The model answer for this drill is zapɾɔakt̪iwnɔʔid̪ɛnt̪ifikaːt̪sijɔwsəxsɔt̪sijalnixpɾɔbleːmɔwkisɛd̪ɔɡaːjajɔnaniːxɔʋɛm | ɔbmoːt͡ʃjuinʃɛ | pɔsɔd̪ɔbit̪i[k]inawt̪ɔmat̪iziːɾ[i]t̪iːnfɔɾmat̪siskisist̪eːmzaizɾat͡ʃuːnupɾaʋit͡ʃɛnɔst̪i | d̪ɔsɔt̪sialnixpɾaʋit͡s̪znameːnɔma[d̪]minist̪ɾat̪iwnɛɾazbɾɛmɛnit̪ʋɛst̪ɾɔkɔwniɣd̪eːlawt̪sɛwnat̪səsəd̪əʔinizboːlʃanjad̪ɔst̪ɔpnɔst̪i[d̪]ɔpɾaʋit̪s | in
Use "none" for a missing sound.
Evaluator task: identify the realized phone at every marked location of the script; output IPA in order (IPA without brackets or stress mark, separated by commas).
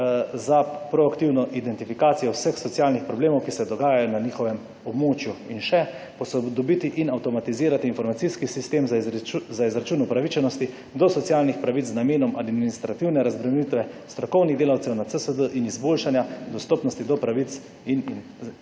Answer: ʔ, a, d̪, d̪